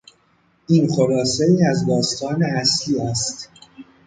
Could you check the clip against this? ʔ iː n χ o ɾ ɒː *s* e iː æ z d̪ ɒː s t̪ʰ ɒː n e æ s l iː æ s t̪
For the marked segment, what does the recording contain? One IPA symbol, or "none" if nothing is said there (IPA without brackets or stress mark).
s